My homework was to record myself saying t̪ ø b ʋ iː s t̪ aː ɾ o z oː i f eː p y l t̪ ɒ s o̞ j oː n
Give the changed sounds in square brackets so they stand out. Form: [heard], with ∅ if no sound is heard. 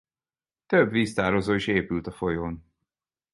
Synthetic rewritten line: t̪ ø b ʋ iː s t̪ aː ɾ o z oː i [ʃ] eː p y l t̪ ɒ [f] o̞ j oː n